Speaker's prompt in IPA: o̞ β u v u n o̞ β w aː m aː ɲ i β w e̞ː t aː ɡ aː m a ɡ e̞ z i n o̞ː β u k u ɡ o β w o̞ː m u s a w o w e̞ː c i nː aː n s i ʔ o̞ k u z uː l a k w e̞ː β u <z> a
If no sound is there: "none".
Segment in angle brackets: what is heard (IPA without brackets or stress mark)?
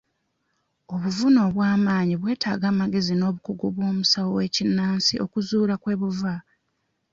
v